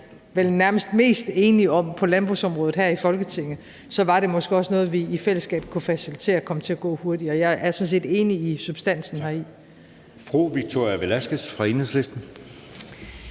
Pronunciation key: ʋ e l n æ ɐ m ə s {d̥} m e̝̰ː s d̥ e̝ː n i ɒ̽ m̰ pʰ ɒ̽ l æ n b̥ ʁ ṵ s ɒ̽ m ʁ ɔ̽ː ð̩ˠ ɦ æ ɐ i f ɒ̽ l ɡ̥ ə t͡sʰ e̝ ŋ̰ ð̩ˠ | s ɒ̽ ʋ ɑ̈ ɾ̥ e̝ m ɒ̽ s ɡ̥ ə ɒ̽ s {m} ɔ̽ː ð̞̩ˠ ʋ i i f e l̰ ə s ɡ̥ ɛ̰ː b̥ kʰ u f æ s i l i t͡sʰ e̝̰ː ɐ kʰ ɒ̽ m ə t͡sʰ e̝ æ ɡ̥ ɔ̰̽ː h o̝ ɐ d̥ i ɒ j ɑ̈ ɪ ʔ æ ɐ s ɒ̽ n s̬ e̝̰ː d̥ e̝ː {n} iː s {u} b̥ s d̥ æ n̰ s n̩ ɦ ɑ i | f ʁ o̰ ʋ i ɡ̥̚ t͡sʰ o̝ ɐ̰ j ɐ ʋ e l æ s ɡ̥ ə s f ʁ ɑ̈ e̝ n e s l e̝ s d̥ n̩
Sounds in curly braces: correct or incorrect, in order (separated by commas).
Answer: correct, incorrect, correct, correct